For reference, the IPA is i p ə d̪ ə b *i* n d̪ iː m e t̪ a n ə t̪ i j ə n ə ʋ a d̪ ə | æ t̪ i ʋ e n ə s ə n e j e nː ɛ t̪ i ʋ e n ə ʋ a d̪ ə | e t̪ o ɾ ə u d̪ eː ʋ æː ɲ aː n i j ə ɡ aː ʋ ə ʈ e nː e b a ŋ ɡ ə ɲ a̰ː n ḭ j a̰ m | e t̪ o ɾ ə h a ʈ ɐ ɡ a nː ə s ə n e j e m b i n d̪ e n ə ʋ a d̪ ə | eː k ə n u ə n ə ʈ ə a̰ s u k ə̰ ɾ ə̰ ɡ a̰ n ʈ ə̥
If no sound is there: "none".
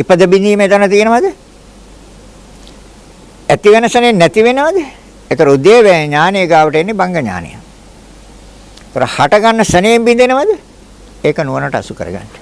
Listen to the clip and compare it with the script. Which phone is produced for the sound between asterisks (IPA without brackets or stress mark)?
i